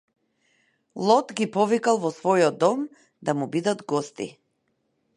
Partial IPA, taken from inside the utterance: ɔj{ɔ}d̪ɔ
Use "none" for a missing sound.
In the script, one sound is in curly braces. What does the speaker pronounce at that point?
ɔ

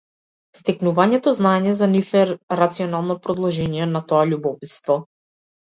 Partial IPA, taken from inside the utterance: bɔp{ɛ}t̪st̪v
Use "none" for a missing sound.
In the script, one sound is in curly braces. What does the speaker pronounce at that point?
i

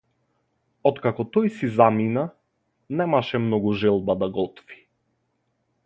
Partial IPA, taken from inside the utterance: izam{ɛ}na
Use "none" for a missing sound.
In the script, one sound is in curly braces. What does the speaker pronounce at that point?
i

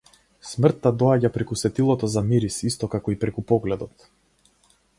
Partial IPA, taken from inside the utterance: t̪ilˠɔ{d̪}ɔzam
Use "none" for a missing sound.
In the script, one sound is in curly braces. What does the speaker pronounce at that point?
t̪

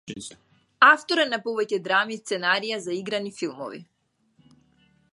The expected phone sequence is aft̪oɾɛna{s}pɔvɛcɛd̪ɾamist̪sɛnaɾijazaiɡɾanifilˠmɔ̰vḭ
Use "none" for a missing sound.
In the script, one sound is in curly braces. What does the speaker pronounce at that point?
none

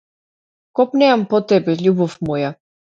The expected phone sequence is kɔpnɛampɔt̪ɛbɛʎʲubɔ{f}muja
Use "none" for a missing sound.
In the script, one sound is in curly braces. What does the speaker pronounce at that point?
f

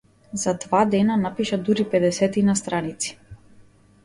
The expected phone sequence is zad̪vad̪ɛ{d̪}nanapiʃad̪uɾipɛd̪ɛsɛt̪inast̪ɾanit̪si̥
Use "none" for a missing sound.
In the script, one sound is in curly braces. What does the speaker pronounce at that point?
none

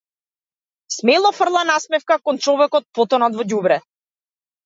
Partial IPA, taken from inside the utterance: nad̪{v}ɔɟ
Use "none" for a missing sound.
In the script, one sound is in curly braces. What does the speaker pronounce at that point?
v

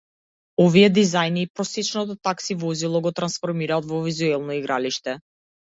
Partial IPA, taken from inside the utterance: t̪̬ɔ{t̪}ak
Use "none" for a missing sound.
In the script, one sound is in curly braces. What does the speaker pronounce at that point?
t̪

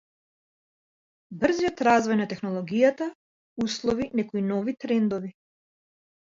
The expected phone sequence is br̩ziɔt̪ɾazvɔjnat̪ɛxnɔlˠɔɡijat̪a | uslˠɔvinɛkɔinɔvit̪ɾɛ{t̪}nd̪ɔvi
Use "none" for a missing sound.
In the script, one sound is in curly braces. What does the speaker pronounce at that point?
none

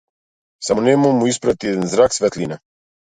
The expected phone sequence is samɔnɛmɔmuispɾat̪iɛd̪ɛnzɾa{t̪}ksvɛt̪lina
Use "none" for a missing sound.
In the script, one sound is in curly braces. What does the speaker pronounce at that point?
none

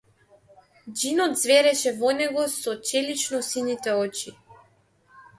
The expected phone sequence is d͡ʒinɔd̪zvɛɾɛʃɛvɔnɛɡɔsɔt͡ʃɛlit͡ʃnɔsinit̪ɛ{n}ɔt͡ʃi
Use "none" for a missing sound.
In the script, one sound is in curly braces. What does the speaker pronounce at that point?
none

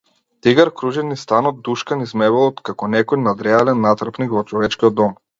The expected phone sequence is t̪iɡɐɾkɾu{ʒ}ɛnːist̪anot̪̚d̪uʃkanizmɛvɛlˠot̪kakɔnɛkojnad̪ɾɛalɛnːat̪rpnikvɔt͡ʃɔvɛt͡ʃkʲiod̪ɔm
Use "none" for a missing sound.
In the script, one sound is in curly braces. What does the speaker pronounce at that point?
ʒ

